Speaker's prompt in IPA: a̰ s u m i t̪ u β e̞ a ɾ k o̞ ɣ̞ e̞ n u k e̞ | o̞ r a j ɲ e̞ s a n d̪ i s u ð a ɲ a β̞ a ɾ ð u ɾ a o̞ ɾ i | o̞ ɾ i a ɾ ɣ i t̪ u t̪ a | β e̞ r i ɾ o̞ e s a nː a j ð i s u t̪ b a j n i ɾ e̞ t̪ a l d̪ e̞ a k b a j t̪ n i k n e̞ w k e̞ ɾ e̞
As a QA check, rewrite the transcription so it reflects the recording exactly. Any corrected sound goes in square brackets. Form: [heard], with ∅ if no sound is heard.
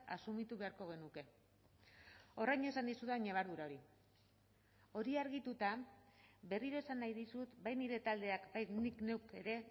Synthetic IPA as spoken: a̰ s u m i t̪ u β e̞ a ɾ k o̞ ɣ̞ e̞ n u k e̞ | o̞ r a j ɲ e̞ s a n d̪ i s u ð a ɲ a β̞ a ɾ ð u ɾ a o̞ ɾ i | o̞ ɾ i a ɾ ɣ i t̪ u t̪ a | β e̞ r i ɾ o̞ e s a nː a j ð i s u t̪ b a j n i ɾ e̞ t̪ a l d̪ e̞ a k b a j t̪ n i k n e̞ w k e̞ ɾ e̞

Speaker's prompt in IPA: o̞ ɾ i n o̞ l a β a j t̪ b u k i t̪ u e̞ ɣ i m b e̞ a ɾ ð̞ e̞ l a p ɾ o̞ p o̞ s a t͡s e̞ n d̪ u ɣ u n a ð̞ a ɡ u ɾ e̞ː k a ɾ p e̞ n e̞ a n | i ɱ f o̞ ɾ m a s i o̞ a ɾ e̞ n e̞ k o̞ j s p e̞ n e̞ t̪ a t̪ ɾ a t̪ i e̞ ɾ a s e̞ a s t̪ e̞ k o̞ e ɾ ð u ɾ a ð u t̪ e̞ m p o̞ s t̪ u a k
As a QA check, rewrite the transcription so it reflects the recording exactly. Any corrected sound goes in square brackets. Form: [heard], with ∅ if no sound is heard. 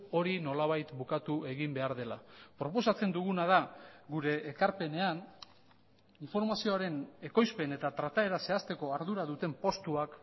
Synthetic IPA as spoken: o̞ ɾ i n o̞ l a β a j t̪ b u k [a] t̪ u e̞ ɣ i m b e̞ a ɾ ð̞ e̞ l a p ɾ o̞ p o̞ s a t͡s e̞ n d̪ u ɣ u n a ð̞ a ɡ u ɾ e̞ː k a ɾ p e̞ n e̞ a n | i ɱ f o̞ ɾ m a s i o̞ a ɾ e̞ n e̞ k o̞ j s p e̞ n e̞ t̪ a t̪ ɾ a t̪ [a] e̞ ɾ a s e̞ a s t̪ e̞ k o̞ [a] ɾ ð u ɾ a ð u t̪ e̞ m p o̞ s t̪ u a k

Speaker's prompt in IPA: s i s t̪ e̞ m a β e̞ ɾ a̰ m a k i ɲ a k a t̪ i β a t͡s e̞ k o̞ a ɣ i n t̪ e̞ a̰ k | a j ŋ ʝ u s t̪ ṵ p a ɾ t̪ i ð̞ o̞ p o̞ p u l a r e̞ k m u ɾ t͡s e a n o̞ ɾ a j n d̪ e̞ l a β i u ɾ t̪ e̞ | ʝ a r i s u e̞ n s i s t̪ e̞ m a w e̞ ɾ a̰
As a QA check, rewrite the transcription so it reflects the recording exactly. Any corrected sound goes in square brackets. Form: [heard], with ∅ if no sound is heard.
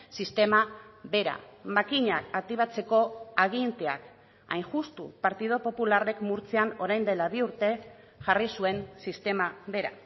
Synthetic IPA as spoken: s i s t̪ e̞ m a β e̞ ɾ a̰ m a k i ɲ a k a t̪ i β a t͡s e̞ k o̞ a ɣ i n t̪ e̞ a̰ k | a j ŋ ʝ u s t̪ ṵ p a ɾ t̪ i ð̞ o̞ p o̞ p u l a r e̞ k m u ɾ t͡s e a n o̞ ɾ a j n d̪ e̞ l a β i u ɾ t̪ e̞ | ʝ a r i s u e̞ n s i s t̪ e̞ m a [β] e̞ ɾ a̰

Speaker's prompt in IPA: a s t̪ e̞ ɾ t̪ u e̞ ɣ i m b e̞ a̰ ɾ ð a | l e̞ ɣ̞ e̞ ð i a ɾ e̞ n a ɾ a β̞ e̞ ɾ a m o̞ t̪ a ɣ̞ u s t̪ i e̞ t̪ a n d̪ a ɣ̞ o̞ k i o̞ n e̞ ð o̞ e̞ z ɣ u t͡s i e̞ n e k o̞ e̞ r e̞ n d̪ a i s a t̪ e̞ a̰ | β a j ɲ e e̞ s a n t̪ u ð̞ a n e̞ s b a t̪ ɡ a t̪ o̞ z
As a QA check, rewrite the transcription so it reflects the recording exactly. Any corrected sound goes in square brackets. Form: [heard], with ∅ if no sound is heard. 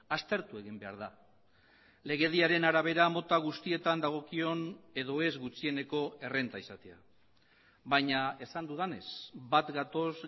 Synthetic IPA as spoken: a s t̪ e̞ ɾ t̪ u e̞ ɣ i m b e̞ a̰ ɾ ð a | l e̞ ɣ̞ e̞ ð i a ɾ e̞ n a ɾ a β̞ e̞ ɾ a m o̞ t̪ a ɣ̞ u s t̪ i e̞ t̪ a n d̪ a ɣ̞ o̞ k i o̞ n e̞ ð o̞ e̞ z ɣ u t͡s i e̞ n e k o̞ e̞ r e̞ n [t̪] a i s a t̪ e̞ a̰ | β a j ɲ [a] e̞ s a n [d̪] u ð̞ a n e̞ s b a t̪ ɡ a t̪ o̞ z

